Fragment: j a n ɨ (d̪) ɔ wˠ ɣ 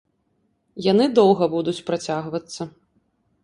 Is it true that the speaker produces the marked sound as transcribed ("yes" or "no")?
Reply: yes